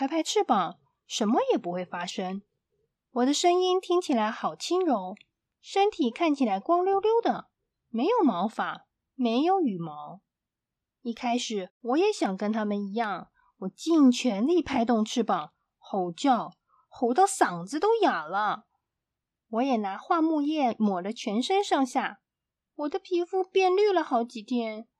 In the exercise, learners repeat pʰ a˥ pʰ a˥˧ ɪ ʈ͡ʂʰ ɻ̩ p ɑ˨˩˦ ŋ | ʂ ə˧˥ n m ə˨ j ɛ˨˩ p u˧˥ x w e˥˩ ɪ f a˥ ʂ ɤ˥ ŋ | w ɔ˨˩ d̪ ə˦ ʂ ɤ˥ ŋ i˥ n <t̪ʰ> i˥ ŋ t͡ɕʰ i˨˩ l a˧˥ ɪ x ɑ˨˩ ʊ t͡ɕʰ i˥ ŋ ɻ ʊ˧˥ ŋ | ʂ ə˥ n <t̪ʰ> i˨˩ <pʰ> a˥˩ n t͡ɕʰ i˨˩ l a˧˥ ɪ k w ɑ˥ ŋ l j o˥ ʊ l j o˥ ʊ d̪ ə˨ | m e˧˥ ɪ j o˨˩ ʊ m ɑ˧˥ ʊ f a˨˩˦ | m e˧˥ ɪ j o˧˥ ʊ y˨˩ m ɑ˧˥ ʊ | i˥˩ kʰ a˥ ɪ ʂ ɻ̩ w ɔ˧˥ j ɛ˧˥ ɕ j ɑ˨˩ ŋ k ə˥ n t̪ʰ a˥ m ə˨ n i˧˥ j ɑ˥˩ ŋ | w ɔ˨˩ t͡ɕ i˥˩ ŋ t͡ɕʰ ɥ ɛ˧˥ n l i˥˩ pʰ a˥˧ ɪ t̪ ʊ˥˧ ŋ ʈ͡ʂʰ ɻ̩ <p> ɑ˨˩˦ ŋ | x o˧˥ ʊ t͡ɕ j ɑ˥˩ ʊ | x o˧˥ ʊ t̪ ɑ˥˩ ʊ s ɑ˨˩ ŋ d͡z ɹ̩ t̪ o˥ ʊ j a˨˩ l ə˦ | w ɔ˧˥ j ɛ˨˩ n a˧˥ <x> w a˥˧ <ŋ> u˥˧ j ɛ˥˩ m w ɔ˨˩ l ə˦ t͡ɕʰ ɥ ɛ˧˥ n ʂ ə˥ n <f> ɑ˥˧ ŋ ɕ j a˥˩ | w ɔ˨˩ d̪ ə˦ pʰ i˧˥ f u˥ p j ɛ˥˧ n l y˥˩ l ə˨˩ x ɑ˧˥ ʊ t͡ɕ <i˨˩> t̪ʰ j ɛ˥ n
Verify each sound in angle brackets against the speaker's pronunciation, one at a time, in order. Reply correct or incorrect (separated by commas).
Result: correct, correct, incorrect, correct, correct, incorrect, incorrect, correct